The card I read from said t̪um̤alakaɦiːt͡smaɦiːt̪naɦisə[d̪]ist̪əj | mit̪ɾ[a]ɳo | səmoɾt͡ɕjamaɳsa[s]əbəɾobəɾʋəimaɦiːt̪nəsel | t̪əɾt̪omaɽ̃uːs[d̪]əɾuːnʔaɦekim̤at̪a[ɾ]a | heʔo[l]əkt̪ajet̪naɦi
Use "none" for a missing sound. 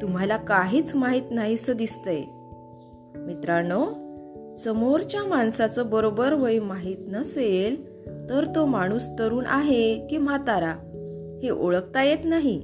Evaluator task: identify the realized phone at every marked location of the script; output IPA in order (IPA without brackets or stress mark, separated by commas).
d̪, a, t͡s, t̪, ɾ, ɭ